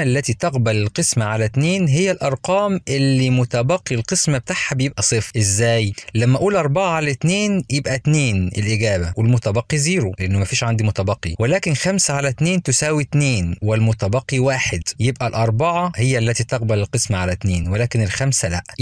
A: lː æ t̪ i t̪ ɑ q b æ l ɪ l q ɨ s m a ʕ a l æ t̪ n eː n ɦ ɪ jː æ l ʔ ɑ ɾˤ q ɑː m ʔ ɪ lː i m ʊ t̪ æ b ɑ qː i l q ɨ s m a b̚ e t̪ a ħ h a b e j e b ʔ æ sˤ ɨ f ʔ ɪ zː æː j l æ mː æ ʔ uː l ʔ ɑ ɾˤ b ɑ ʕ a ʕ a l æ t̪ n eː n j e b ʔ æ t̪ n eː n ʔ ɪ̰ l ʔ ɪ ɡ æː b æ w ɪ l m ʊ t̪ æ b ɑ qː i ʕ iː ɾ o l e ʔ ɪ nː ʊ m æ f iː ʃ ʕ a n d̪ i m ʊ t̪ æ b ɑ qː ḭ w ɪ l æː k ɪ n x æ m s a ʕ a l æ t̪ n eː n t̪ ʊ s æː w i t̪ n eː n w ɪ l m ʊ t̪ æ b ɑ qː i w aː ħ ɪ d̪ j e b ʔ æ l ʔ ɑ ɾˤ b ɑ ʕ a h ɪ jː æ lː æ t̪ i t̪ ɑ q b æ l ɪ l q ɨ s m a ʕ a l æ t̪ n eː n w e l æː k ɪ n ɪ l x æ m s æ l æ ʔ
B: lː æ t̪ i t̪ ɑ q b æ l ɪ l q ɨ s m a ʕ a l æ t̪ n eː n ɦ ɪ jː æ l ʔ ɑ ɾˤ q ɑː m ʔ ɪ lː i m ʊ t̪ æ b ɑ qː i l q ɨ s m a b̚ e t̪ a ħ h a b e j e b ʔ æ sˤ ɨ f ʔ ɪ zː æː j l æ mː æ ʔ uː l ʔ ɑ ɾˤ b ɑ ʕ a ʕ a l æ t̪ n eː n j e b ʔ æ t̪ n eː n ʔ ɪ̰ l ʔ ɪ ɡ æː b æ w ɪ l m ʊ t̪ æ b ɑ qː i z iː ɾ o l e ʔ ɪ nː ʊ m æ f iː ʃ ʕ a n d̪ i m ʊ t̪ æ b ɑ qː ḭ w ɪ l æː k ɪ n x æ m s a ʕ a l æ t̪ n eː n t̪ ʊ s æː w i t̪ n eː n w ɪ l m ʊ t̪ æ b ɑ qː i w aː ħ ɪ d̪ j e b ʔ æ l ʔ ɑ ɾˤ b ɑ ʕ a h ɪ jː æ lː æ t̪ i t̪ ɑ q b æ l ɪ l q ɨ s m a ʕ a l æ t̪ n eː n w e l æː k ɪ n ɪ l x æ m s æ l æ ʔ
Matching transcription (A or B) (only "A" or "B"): B